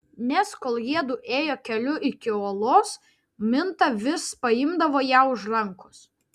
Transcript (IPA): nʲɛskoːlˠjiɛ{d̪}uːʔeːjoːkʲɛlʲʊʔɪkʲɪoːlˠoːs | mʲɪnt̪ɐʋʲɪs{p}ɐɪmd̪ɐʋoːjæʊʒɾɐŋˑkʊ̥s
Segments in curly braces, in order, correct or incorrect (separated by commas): correct, correct